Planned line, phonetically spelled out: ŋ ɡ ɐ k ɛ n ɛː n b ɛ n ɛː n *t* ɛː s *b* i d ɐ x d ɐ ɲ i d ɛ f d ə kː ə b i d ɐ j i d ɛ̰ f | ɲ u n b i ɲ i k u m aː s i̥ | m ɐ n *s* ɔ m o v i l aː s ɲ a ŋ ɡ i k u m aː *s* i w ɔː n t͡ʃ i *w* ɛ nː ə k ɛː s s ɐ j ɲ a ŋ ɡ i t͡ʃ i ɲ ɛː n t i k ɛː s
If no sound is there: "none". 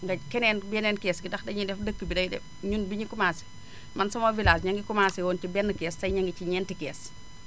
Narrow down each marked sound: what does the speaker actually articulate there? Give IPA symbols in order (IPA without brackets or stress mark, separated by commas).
k, ɡ, s, s, b